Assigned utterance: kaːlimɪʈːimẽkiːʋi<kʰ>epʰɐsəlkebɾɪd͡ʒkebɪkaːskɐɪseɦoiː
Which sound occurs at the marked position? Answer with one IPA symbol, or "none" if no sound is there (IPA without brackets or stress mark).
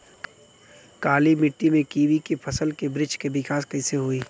k